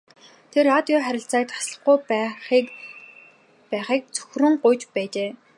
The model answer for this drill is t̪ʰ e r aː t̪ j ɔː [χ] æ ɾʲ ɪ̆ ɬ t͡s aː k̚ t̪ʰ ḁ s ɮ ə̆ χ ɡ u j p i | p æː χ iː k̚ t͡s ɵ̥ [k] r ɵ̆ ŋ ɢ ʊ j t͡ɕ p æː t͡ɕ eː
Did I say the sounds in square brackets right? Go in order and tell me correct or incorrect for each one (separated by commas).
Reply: correct, incorrect